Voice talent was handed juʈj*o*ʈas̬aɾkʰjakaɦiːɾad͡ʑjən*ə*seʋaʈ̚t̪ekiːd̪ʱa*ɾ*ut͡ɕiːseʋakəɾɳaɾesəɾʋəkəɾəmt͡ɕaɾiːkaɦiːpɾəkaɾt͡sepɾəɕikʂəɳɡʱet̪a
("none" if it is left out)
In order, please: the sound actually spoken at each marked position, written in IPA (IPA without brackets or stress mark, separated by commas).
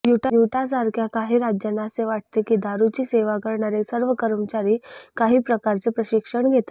u, a, ɾ